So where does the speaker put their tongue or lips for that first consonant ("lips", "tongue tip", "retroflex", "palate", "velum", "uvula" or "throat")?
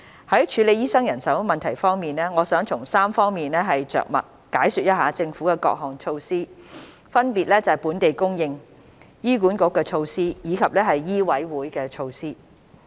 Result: throat